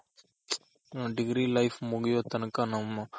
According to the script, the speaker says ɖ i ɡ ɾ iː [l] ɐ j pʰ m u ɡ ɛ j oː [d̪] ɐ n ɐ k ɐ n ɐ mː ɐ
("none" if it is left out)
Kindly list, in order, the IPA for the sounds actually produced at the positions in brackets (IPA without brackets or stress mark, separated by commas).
l, t̪